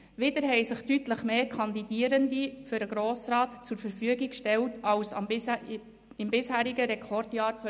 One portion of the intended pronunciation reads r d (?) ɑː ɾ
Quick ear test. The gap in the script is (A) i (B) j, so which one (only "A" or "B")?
B